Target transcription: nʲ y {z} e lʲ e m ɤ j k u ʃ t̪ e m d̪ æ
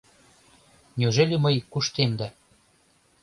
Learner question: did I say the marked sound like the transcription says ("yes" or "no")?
no